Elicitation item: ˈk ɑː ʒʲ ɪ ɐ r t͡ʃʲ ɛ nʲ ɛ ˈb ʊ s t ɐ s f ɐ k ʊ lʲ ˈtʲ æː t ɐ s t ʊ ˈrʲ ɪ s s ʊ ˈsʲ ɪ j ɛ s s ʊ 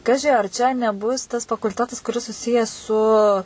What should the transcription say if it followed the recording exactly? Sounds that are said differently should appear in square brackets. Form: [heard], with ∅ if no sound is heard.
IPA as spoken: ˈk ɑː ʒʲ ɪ ɐ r t͡ʃʲ ɛ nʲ ɛ ˈb ʊ s t ɐ s f ɐ k ʊ lʲ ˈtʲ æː t ɐ s [k] ʊ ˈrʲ ɪ s s ʊ ˈsʲ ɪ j ɛ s s ʊ